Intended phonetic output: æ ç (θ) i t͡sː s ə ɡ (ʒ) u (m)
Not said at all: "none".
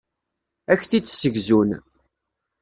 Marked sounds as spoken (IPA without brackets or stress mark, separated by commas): θ, z, n